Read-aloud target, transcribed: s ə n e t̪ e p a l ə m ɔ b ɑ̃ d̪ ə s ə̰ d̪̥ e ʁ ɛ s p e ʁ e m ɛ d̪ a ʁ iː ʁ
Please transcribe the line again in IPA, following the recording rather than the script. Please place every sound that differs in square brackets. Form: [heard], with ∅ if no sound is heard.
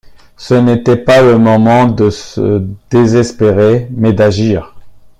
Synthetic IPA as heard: s ə n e t̪ [ɛ] p a l ə m ɔ [m] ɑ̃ d̪ ə s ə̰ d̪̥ e [z] ɛ s p e ʁ e m ɛ d̪ a [ʒ] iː ʁ